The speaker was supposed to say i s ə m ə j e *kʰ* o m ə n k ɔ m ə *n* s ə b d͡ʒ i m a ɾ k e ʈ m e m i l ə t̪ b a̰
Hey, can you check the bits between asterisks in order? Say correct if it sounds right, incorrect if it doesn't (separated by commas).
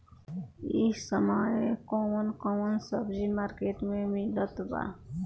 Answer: incorrect, correct